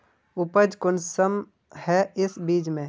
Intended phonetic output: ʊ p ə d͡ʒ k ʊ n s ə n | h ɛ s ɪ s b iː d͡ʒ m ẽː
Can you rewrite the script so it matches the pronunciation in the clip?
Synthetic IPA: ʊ p ə d͡ʒ k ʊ n s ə m | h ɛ ɪ s b iː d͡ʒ m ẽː